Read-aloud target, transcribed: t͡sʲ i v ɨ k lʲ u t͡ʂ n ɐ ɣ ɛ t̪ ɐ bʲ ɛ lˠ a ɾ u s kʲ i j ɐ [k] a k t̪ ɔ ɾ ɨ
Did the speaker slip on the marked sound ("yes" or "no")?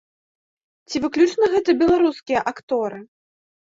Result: yes